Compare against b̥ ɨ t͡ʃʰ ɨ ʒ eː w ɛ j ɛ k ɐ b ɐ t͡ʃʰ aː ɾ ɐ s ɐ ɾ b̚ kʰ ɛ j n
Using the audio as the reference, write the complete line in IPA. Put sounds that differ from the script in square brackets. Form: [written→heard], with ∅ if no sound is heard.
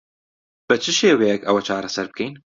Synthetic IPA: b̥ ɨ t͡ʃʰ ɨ [ʒ→ʃ] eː w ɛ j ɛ k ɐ [b→w] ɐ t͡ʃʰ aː ɾ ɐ s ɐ ɾ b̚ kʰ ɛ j n

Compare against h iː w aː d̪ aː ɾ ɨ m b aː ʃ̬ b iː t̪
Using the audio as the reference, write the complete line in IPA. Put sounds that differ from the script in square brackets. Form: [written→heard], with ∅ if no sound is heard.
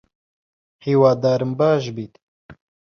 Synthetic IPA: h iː w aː d̪ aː ɾ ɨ m b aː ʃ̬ b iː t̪

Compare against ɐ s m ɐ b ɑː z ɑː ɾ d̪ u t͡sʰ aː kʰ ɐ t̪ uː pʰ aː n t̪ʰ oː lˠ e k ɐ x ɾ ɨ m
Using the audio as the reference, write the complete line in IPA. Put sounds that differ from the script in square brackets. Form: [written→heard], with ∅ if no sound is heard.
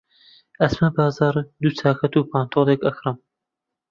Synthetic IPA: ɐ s m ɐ b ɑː z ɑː ɾ d̪ u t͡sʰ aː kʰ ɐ t̪ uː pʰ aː n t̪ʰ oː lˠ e k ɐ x ɾ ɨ m

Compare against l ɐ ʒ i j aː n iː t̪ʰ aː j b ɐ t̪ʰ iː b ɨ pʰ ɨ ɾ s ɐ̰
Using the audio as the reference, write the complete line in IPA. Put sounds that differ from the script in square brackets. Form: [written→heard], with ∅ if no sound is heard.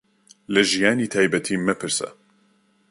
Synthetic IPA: l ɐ ʒ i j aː n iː t̪ʰ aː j b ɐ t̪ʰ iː [b→m] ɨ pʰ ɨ ɾ s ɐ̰

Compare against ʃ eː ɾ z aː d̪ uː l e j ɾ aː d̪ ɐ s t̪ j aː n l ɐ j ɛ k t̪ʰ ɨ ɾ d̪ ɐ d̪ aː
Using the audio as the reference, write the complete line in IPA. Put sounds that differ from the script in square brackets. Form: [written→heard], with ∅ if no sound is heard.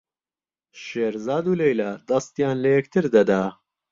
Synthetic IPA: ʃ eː ɾ z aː d̪ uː l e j [ɾ→l] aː d̪ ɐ s t̪ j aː n l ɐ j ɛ k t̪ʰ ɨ ɾ d̪ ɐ d̪ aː

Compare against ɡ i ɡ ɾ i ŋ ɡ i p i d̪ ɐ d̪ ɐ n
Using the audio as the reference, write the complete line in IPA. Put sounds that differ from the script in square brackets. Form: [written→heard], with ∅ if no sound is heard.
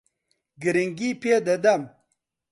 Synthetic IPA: ɡ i [ɡ→∅] ɾ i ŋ ɡ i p [i→e] d̪ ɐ d̪ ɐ [n→m]

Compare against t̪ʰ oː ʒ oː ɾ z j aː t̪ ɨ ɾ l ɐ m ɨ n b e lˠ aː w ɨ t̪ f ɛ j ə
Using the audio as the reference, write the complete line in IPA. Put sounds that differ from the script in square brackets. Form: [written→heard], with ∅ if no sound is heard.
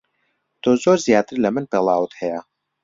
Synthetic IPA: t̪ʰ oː [ʒ→z] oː ɾ z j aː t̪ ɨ ɾ l ɐ m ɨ n [b→p] e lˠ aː w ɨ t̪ [f→h] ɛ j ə

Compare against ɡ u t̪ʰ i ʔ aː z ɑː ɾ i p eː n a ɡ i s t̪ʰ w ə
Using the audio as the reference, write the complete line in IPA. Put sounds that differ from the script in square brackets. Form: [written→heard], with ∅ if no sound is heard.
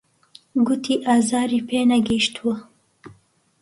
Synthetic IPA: ɡ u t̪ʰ i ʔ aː z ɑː ɾ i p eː n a ɡ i [s→ʃ] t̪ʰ w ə

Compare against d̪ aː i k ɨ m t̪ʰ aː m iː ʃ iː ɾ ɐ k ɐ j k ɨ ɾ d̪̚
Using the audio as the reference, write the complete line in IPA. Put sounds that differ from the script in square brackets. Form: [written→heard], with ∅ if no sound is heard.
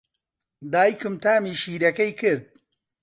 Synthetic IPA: d̪ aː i k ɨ m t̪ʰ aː m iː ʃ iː ɾ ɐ k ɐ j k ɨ ɾ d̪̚

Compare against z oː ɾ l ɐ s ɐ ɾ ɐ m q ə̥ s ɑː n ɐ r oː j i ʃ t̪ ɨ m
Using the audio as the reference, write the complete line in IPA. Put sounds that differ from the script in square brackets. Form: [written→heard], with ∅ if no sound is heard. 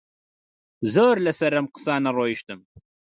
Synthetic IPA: z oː ɾ l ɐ s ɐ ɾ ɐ m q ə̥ s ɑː n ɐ r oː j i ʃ t̪ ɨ m

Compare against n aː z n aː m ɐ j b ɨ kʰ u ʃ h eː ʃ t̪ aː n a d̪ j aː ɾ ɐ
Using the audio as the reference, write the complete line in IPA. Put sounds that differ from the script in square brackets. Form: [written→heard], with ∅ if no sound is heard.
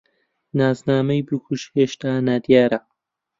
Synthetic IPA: n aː z n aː m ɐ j b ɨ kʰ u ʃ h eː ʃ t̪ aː n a d̪ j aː ɾ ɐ

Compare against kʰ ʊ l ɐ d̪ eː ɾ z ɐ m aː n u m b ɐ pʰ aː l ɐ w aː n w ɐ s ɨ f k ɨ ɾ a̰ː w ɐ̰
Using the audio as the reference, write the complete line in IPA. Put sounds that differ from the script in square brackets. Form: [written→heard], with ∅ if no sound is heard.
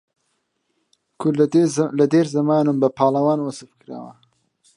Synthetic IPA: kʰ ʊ l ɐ d̪ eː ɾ z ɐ m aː n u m b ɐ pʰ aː l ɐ w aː n w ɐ s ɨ f k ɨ ɾ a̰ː w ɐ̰

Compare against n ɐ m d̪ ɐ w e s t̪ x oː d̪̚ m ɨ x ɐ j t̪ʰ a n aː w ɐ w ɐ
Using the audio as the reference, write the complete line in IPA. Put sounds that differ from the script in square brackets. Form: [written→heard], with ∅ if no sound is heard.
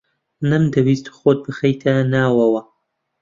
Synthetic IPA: n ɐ m d̪ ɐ w [e→i] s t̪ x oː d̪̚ [m→b] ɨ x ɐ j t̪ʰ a n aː w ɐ w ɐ

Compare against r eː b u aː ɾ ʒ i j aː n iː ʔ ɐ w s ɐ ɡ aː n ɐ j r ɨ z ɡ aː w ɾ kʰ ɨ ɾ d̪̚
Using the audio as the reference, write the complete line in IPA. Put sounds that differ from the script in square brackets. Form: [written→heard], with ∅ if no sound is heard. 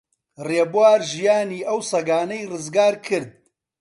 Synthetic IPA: r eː b [u→w] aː ɾ ʒ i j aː n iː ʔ ɐ w s ɐ ɡ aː n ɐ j r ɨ z ɡ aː [w→∅] ɾ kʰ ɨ ɾ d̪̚

